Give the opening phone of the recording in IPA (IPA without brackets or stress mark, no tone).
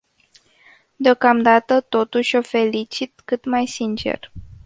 d̪